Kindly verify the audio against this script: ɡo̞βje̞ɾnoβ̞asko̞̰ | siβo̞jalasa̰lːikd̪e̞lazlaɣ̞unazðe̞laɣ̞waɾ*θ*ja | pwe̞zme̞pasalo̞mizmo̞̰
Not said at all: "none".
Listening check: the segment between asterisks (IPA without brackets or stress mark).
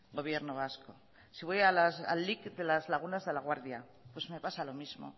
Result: ð